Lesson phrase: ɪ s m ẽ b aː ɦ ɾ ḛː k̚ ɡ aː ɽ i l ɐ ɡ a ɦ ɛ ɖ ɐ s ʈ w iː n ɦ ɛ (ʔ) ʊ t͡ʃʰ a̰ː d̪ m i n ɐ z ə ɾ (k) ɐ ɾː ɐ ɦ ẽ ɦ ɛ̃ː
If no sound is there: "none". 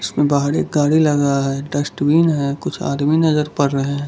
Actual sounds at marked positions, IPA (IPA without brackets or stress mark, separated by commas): k, p